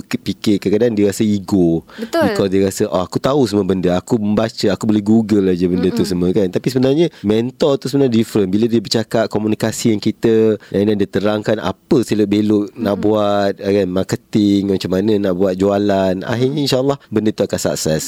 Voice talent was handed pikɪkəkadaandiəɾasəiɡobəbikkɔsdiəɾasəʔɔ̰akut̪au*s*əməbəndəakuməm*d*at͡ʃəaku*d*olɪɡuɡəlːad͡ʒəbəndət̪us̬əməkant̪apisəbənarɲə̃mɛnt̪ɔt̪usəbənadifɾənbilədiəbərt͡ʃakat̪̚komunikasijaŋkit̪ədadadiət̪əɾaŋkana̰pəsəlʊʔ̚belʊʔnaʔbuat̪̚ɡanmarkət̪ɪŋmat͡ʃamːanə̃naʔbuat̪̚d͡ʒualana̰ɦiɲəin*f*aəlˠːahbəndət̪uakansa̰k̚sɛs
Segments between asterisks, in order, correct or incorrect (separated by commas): correct, incorrect, incorrect, incorrect